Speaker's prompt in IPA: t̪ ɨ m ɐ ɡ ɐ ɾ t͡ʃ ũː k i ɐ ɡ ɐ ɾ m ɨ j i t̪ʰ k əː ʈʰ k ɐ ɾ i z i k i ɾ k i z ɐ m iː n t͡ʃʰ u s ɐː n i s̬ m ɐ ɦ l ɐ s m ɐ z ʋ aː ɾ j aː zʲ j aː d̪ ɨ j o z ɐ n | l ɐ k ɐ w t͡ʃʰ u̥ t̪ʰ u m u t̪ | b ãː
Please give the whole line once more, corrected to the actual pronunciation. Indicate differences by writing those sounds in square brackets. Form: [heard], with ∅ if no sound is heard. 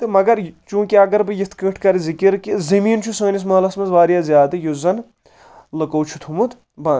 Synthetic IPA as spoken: t̪ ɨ m ɐ ɡ ɐ ɾ t͡ʃ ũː k i ɐ ɡ ɐ ɾ [b] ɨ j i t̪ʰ k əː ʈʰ k ɐ ɾ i z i k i ɾ k i z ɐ m iː n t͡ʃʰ u s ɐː n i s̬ m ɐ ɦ l ɐ s m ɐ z ʋ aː ɾ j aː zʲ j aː d̪ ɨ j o z ɐ n | l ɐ k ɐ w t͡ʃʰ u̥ t̪ʰ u m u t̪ | b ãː